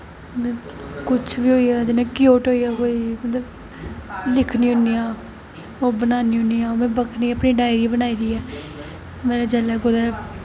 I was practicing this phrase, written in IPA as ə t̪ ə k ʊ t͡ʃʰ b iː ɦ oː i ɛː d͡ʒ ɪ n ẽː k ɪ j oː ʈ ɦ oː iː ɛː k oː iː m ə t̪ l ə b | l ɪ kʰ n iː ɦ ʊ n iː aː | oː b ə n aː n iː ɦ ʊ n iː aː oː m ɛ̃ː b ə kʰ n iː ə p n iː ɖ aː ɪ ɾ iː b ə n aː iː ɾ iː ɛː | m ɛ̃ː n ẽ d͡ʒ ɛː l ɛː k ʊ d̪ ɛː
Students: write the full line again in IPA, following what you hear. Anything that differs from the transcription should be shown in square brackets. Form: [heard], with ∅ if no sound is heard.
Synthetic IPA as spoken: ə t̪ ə k ʊ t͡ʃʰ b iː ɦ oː i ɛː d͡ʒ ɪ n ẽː k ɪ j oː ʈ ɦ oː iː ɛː k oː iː m ə t̪ l ə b | l ɪ kʰ n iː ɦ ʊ n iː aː | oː b ə n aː n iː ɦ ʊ n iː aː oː m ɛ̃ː b ə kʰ n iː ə p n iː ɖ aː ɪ ɾ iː b ə n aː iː ɾ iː ɛː | m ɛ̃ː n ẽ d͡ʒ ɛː l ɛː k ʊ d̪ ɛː